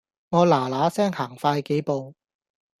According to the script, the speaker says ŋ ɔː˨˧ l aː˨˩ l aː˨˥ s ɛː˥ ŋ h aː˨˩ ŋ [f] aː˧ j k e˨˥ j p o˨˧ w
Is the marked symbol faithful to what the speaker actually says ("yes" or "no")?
yes